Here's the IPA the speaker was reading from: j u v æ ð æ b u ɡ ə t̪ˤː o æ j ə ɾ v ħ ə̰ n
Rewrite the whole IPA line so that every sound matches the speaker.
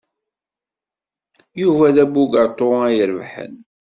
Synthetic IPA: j u v æ ð æ b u ɡ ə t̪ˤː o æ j ə ɾ v ħ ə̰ n